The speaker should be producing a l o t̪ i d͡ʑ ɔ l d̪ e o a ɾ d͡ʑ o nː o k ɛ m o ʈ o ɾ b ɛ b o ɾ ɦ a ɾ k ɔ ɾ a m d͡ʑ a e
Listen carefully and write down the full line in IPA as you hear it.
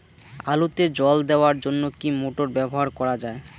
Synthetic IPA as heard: a l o t̪ e d͡ʑ ɔ l d̪ e o a ɾ d͡ʑ o nː o k i m o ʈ o ɾ b ɛ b o ɦ a ɾ k ɔ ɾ a d͡ʑ a e